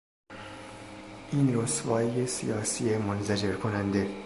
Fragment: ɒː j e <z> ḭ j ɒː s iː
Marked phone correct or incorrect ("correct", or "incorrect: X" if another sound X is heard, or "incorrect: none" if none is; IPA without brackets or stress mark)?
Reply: incorrect: s